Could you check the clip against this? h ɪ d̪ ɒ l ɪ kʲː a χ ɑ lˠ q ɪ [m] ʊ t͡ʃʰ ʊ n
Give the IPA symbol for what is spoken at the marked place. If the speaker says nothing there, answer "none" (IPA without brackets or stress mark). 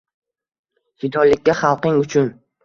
ŋ